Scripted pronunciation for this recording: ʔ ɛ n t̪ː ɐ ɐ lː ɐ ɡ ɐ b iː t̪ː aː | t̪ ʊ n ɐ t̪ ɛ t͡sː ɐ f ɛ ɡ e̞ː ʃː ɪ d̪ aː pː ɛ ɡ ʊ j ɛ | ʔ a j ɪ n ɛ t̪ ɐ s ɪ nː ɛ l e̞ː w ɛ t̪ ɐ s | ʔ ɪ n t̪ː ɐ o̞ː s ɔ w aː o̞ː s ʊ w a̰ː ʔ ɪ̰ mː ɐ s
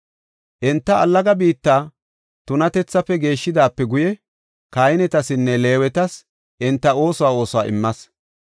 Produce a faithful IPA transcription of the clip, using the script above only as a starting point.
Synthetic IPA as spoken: ʔ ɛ n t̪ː ɐ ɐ lː ɐ ɡ ɐ b iː t̪ː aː | t̪ ʊ n ɐ t̪ ɛ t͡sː ɐ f ɛ ɡ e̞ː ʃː ɪ d̪ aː pː ɛ ɡ ʊ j ɛ | k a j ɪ n ɛ t̪ ɐ s ɪ nː ɛ l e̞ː w ɛ t̪ ɐ s | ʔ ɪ n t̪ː ɐ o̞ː s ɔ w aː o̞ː s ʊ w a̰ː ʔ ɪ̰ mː ɐ s